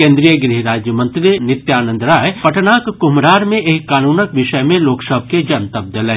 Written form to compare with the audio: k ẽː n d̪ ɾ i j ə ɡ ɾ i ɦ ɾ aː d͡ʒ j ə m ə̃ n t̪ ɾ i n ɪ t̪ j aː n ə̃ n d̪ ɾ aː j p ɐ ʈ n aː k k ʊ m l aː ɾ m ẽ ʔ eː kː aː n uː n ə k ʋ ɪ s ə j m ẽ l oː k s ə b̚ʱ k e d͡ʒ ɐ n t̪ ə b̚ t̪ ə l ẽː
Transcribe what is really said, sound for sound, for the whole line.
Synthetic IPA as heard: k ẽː n d̪ ɾ i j ə ɡ ɾ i ɦ ɾ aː d͡ʒ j ə m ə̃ n t̪ ɾ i n ɪ t̪ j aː n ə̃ n d̪ ɾ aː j p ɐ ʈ n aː k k ʊ m ɾ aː ɾ m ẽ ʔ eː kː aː n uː n ə k ʋ ɪ ʃ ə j m ẽ l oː k s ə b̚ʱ k e d͡ʒ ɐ n t̪ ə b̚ d̪ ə l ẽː